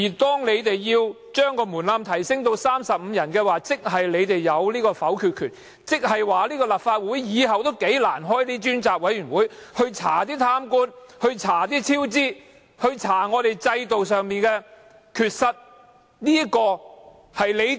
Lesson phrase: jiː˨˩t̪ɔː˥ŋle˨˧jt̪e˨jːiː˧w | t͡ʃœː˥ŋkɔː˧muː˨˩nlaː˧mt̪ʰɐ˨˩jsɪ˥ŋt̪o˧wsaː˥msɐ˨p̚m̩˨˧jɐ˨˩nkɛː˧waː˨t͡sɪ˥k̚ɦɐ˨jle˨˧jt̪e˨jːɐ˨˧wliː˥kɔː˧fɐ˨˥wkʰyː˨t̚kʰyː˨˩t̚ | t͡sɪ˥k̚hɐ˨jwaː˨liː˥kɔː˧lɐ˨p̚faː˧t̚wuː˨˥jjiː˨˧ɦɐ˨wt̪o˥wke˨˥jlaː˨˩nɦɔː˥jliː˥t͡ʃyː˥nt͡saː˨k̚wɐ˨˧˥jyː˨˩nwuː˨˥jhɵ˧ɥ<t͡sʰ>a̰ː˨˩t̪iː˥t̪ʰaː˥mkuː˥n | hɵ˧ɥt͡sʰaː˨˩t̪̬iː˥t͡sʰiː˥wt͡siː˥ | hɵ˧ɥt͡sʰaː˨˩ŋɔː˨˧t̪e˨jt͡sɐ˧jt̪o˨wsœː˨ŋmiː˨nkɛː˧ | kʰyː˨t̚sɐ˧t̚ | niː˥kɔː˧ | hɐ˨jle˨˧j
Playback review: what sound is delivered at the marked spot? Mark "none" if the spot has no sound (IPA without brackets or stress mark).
t͡sʰ